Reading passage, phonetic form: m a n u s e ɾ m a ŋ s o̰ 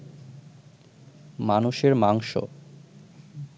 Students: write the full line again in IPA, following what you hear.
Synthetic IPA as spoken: m a n u ʃ e ɾ m a ŋ ʃ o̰